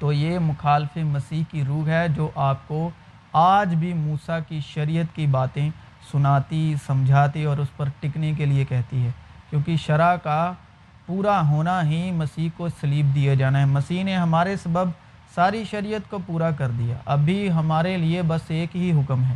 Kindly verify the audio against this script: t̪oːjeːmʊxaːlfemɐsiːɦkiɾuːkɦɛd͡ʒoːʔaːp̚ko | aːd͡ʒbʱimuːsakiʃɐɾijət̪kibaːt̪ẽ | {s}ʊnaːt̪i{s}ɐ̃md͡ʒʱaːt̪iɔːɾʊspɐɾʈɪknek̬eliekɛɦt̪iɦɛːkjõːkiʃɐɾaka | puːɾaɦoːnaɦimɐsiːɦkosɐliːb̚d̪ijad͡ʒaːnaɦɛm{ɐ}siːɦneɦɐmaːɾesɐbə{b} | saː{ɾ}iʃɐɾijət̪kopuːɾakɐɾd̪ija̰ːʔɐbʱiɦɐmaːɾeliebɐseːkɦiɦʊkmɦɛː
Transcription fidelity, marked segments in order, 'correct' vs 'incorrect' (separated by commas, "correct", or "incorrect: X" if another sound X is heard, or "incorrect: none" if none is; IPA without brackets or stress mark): correct, correct, correct, correct, correct